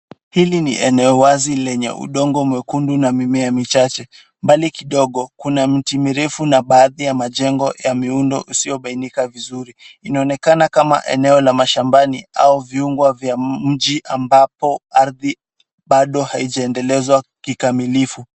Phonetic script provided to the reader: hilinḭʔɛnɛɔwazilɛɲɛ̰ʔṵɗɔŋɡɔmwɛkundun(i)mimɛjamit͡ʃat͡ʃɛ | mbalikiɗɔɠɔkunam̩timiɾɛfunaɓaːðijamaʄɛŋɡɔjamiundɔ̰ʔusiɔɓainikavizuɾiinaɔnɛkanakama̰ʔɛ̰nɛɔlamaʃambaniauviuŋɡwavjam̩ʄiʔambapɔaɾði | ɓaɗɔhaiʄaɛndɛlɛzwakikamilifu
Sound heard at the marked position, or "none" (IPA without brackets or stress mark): a